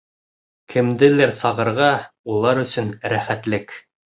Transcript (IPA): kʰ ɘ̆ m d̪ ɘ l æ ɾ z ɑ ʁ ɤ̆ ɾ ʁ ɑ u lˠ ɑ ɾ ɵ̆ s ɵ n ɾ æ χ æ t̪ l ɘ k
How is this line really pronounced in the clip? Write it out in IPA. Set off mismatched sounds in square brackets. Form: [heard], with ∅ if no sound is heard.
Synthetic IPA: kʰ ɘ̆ m d̪ ɘ l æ ɾ [s] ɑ ʁ ɤ̆ ɾ ʁ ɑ u lˠ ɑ ɾ ɵ̆ s ɵ n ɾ æ χ æ t̪ l ɘ k